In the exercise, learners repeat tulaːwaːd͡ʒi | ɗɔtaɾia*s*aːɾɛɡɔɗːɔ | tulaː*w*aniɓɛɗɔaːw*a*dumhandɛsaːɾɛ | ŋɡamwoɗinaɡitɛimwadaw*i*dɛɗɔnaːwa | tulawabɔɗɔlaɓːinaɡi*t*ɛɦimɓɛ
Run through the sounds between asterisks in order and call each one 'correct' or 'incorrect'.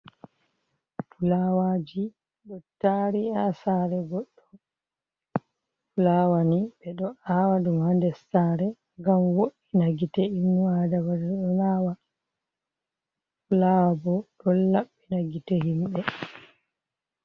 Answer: correct, correct, correct, incorrect: a, correct

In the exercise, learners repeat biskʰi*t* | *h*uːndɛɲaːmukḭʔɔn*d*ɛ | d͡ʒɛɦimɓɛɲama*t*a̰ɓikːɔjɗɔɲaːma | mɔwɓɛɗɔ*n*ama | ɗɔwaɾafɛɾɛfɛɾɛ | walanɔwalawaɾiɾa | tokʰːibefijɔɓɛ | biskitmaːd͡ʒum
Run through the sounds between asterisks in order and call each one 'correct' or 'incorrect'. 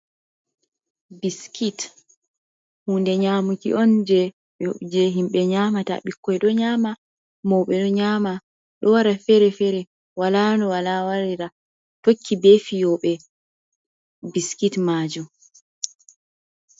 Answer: correct, correct, incorrect: d͡ʒ, correct, incorrect: ɲ

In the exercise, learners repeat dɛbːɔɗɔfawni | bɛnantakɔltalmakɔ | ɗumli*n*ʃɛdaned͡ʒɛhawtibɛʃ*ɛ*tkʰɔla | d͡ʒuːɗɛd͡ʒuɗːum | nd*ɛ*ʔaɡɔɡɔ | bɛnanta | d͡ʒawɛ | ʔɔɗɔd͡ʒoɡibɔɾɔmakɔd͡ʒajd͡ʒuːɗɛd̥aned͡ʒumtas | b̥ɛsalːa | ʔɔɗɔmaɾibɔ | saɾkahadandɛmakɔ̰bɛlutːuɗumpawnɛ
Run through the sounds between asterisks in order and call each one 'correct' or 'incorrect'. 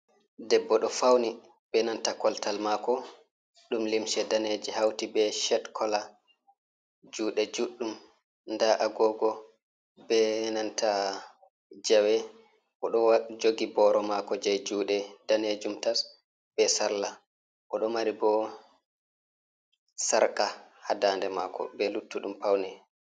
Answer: incorrect: m, correct, incorrect: a

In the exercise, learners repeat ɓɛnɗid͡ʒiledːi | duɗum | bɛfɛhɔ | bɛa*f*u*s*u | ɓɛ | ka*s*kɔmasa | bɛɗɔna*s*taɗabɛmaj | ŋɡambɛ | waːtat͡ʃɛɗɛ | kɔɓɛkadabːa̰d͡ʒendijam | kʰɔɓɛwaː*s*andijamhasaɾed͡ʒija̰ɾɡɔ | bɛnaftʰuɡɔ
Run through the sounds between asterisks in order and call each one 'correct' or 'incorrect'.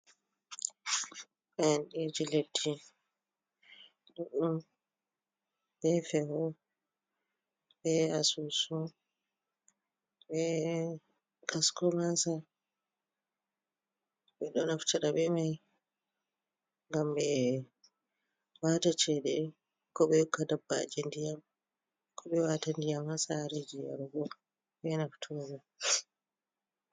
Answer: incorrect: s, correct, correct, incorrect: f, incorrect: t

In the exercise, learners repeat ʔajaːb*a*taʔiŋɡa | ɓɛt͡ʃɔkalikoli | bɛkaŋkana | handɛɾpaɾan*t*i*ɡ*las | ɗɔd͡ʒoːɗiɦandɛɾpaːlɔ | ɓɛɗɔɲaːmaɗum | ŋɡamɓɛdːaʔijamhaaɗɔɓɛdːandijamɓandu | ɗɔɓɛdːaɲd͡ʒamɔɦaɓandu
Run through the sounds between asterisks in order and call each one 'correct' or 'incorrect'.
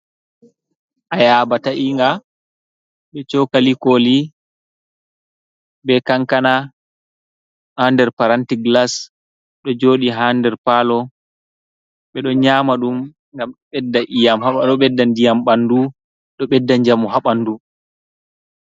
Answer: correct, correct, correct

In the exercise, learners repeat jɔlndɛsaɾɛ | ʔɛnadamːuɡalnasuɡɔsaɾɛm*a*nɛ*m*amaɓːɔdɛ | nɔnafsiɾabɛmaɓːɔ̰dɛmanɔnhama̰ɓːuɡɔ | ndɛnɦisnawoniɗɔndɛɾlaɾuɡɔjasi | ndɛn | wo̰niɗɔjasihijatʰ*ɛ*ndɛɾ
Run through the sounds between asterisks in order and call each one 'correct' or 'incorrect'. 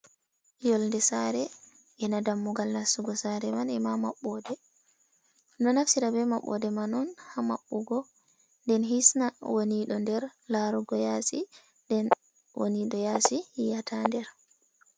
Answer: correct, correct, incorrect: a

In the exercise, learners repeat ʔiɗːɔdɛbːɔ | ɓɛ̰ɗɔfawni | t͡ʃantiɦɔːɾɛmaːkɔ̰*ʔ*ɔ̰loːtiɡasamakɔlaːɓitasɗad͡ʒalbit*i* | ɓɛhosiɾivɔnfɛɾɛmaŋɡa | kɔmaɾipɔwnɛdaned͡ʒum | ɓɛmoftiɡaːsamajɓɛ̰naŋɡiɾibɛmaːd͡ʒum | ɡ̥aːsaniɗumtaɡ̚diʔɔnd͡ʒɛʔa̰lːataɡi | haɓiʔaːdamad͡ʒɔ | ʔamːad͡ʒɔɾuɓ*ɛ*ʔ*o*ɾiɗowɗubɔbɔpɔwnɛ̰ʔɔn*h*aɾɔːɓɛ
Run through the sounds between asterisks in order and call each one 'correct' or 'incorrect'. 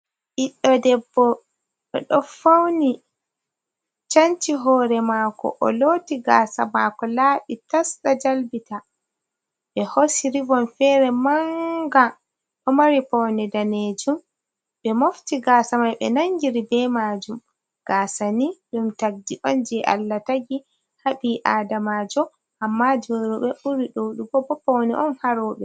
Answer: correct, incorrect: a, correct, incorrect: u, correct

